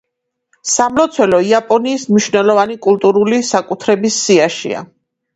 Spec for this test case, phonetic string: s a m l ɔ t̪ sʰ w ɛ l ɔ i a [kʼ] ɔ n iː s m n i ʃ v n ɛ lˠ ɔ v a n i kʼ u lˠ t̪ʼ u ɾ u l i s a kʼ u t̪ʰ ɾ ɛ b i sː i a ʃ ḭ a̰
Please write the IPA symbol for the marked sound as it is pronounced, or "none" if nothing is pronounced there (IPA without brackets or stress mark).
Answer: pʼ